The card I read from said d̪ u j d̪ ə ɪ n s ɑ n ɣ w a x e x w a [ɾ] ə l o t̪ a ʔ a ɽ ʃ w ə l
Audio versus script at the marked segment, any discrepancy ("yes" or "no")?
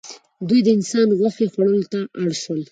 yes